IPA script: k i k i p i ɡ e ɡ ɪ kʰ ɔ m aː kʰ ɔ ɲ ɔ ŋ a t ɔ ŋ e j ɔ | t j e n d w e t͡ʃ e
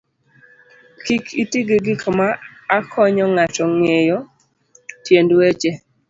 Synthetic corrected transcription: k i k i t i ɡ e ɡ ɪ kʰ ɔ m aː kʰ ɔ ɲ ɔ ŋ a t ɔ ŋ e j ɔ | t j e n d w e t͡ʃ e